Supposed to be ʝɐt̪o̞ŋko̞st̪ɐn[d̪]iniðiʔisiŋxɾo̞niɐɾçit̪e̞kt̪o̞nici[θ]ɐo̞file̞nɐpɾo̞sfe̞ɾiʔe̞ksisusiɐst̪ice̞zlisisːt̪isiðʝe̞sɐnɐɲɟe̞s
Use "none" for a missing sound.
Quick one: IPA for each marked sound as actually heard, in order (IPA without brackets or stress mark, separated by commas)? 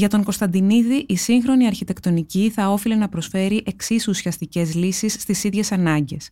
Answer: d̪, θ